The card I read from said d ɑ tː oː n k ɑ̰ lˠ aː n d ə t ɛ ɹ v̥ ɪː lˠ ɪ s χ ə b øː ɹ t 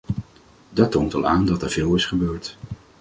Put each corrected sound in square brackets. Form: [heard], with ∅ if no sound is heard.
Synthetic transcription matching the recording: d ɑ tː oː n [t] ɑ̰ lˠ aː n d [ɑ] t ɛ ɹ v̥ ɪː lˠ ɪ s χ ə b øː ɹ t